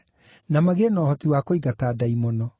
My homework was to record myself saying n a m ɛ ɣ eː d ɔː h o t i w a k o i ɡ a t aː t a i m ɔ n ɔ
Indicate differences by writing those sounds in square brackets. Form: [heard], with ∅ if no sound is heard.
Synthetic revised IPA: n a m [a] ɣ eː [n] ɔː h [ɔ] t i w a k o i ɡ a t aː [d] a i m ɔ n ɔ